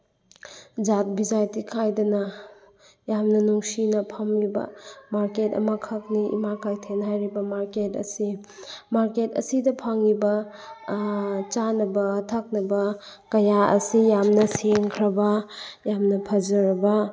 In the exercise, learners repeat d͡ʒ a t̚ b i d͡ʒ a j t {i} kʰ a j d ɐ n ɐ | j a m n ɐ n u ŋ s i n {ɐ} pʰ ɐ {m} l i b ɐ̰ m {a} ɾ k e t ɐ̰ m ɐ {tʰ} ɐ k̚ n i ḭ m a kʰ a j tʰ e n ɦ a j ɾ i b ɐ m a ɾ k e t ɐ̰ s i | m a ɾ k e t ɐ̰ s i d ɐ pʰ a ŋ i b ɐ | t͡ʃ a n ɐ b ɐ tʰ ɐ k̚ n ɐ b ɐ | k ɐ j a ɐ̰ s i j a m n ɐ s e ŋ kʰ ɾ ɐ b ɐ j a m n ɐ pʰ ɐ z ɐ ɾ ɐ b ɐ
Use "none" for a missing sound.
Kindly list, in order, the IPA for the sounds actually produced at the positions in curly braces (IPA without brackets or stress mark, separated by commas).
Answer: i, ɐ, m, a, kʰ